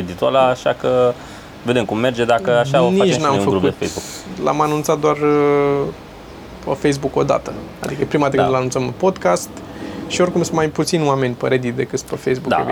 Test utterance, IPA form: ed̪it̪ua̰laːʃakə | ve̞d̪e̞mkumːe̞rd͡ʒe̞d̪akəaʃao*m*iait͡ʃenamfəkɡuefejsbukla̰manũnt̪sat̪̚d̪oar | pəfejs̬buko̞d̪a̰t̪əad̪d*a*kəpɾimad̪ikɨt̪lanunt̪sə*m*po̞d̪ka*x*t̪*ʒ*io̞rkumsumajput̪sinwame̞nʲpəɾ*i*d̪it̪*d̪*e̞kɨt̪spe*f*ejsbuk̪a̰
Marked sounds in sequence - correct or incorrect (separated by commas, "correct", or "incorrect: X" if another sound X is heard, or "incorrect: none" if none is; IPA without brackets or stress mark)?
incorrect: n, incorrect: i, correct, incorrect: s, incorrect: ʃ, incorrect: e, correct, correct